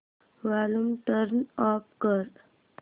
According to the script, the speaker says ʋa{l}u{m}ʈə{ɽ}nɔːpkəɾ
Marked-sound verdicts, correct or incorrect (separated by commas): correct, correct, incorrect